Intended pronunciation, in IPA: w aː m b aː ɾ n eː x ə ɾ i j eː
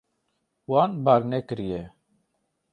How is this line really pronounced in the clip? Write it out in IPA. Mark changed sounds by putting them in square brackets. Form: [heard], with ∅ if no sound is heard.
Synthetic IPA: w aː [n] b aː ɾ n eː [k] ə ɾ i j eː